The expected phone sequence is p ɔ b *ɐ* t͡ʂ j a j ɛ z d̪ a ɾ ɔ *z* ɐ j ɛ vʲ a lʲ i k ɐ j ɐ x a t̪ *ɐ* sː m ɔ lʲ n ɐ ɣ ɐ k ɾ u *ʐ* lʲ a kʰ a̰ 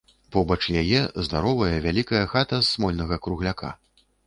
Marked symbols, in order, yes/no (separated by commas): yes, no, yes, no